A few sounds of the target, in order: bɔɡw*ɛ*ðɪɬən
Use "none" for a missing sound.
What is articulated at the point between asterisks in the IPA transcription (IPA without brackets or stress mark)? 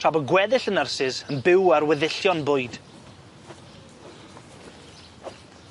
ɛ